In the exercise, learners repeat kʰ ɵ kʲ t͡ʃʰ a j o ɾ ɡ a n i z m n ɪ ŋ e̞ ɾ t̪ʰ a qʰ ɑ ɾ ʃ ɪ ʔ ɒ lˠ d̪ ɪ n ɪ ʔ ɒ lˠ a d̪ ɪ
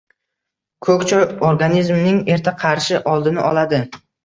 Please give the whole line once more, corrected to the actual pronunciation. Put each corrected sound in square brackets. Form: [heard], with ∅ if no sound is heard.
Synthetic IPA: kʰ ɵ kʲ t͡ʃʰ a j o ɾ ɡ a n i z m n ɪ ŋ e̞ ɾ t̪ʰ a qʰ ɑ ɾ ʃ ɪ ʔ ɒ lˠ d̪ ɪ n ɪ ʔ ɒ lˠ a d̪ ɪ

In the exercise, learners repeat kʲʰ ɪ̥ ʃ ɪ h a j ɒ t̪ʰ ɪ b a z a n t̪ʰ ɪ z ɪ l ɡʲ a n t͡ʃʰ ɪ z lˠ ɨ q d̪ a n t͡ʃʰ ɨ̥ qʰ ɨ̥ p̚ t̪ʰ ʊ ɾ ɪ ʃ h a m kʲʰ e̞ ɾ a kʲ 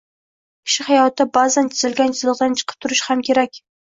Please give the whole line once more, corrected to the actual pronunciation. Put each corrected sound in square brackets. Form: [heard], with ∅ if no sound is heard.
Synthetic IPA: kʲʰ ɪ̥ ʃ ɪ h a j ɒ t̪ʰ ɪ b a z a n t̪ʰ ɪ z ɪ l ɡʲ a n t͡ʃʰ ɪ z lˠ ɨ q d̪ a n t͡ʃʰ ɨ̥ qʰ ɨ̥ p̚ t̪ʰ ʊ ɾ ɪ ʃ h a m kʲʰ e̞ ɾ a kʲ

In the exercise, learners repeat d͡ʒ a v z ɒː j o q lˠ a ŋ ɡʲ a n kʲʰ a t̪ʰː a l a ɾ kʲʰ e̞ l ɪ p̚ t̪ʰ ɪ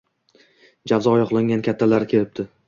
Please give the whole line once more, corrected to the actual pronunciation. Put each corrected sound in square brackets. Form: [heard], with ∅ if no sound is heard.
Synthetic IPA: d͡ʒ a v z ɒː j [ɒ] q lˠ a ŋ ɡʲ a n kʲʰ a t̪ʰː a l a ɾ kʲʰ e̞ l ɪ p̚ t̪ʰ ɪ

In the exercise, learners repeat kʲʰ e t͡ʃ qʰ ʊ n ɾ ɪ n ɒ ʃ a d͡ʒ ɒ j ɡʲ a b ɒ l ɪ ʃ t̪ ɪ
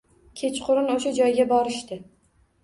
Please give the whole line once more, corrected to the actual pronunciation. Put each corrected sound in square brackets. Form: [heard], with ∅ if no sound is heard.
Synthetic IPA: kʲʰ e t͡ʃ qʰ ʊ [∅] ɾ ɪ n [o] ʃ a d͡ʒ ɒ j ɡʲ a b ɒ [ɾ] ɪ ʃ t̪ ɪ

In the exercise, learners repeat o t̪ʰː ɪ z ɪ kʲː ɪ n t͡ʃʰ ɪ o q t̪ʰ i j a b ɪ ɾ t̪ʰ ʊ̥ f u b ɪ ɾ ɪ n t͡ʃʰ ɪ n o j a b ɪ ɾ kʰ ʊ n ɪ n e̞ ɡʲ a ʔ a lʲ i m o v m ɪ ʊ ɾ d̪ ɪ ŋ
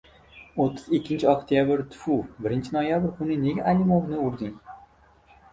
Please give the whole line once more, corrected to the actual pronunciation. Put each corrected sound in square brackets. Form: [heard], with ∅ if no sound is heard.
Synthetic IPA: o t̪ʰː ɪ z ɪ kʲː ɪ n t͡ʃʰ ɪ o [k] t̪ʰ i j a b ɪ ɾ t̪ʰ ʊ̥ f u b ɪ ɾ ɪ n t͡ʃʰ ɪ n o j a b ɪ ɾ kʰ ʊ n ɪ n e̞ ɡʲ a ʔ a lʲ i m o v [n] ɪ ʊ ɾ d̪ ɪ ŋ

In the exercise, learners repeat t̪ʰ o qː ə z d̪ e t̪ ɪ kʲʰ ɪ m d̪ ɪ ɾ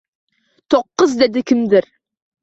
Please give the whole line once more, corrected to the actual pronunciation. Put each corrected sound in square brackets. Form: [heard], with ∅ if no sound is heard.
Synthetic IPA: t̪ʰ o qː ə z d̪ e [d̪] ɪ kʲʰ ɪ m d̪ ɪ ɾ

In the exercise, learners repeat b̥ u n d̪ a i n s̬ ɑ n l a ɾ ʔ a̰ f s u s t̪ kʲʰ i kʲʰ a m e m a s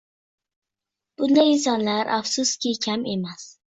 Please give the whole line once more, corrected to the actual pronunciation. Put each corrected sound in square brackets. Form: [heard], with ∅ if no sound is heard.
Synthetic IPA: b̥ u n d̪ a i n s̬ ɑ n l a ɾ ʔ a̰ f s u s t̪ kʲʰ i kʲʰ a m e m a s

